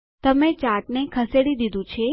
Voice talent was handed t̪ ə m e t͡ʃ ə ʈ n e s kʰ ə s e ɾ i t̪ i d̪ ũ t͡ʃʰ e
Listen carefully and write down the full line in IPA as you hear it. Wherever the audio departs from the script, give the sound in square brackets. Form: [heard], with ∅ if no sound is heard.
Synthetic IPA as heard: t̪ ə m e t͡ʃ [a] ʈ n e [∅] kʰ ə s e [ɽ] i [d̪] i d̪ ũ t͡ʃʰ e